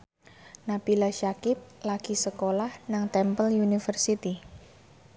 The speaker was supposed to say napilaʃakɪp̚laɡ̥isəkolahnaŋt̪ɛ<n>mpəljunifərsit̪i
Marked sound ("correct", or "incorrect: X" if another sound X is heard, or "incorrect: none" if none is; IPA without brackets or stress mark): incorrect: none